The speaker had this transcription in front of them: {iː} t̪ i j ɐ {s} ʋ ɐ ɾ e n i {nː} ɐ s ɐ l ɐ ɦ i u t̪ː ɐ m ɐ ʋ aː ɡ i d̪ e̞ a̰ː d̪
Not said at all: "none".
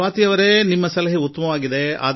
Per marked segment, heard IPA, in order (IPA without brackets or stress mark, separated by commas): aː, none, mː